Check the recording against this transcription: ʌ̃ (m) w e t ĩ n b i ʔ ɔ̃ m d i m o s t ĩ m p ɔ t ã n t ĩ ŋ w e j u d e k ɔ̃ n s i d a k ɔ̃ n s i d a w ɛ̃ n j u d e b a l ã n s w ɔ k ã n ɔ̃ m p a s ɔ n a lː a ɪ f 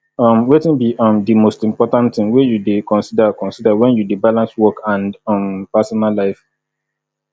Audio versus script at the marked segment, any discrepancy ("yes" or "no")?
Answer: no